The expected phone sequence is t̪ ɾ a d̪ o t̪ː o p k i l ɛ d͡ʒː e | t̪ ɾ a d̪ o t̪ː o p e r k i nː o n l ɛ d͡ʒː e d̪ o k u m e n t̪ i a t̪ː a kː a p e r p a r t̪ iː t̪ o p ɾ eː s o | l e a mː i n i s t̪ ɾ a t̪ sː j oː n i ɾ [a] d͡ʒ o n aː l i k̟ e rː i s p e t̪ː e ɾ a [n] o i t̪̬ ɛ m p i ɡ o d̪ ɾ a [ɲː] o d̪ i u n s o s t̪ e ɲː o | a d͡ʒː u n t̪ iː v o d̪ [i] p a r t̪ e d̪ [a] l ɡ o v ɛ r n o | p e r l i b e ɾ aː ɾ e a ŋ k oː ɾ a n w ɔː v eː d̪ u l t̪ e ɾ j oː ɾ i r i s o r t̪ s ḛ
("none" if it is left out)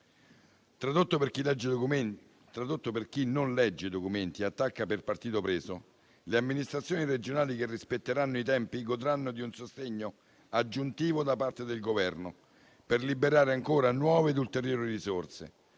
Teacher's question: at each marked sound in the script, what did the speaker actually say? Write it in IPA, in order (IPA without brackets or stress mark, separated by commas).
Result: e, nː, nː, a, e